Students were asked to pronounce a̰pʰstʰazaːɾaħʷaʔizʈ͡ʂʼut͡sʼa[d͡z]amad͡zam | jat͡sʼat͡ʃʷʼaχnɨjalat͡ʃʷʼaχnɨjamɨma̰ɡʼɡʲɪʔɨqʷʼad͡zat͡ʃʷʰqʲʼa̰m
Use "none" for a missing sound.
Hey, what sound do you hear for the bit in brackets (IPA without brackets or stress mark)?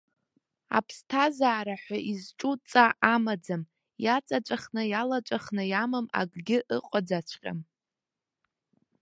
none